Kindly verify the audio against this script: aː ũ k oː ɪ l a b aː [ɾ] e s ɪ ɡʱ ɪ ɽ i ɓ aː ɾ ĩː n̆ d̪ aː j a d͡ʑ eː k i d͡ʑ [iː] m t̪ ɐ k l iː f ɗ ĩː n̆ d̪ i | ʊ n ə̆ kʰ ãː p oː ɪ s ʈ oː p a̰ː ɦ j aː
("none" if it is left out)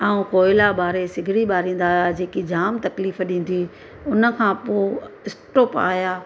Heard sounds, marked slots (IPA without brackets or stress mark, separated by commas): ɾ, aː